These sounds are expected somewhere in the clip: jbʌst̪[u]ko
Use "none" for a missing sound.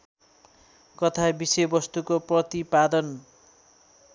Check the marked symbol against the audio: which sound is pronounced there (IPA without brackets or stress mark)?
u